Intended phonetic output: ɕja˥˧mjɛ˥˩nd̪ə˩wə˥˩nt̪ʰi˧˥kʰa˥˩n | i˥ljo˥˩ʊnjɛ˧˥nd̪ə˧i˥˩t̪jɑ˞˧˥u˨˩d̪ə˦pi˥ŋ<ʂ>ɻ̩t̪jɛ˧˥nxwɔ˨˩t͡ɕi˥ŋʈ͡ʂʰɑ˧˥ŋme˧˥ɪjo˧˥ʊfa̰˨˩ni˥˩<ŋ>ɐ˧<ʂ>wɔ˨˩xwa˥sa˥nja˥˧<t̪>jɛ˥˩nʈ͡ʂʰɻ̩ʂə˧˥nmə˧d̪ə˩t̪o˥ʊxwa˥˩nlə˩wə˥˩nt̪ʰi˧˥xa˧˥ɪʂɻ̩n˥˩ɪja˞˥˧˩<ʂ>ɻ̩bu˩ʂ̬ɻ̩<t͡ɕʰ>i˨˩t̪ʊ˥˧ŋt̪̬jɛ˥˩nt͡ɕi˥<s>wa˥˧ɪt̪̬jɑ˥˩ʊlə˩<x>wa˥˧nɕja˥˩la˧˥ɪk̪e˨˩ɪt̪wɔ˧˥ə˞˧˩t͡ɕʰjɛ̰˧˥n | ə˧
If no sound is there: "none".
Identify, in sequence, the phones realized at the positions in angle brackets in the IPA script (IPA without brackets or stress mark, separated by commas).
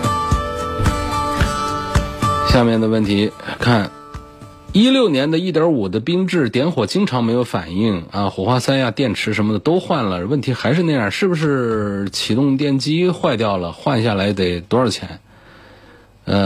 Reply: ʈ͡ʂ, ŋ, x, t̪, ʂ, t͡ɕʰ, x, x